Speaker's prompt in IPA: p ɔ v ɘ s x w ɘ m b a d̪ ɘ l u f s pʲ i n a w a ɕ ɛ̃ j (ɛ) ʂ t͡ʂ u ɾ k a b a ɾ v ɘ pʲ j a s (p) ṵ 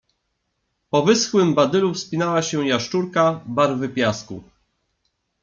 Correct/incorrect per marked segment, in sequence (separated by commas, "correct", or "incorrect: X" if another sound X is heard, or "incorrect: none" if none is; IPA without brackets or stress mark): incorrect: a, incorrect: k